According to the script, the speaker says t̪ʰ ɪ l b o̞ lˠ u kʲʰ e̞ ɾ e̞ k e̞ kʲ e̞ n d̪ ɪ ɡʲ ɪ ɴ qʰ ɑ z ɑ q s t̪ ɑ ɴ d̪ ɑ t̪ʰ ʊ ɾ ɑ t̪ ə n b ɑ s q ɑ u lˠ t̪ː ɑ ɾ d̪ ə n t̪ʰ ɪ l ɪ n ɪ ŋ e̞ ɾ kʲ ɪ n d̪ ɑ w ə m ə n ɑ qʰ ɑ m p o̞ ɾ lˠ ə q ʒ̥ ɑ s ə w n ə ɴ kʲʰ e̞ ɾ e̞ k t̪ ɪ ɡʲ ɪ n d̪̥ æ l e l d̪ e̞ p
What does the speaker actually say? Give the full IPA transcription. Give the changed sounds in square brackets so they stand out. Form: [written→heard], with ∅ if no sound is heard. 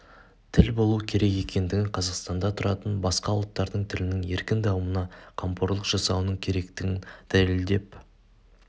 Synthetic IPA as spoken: t̪ʰ ɪ l b o̞ lˠ u kʲʰ e̞ ɾ e̞ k e̞ kʲ e̞ n d̪ ɪ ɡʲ ɪ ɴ qʰ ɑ z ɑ q s t̪ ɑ [ɴ→n] d̪ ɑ t̪ʰ ʊ ɾ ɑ t̪ ə n b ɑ s q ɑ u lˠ t̪ː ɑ ɾ d̪ ə [n→ɴ] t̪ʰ ɪ l ɪ n ɪ ŋ e̞ ɾ kʲ ɪ n d̪ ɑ w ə m ə n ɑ qʰ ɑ m p o̞ ɾ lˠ ə q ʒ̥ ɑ s [ə→ɑ] w n ə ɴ kʲʰ e̞ ɾ e̞ k t̪ ɪ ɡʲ ɪ n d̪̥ æ l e l d̪ e̞ p